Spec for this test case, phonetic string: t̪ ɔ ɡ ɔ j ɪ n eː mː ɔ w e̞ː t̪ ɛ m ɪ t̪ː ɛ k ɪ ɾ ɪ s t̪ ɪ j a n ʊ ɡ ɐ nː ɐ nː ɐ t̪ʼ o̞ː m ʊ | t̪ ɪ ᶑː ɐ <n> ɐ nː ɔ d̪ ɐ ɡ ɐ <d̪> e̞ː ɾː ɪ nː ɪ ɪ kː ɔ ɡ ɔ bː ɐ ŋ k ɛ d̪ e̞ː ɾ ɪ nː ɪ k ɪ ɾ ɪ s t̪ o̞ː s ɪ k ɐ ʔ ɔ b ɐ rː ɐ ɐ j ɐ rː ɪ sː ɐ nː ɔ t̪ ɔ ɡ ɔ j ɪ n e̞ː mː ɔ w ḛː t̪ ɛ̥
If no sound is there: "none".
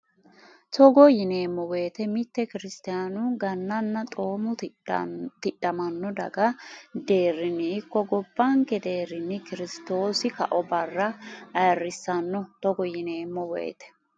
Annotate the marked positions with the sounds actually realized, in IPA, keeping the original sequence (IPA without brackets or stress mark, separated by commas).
m, d̪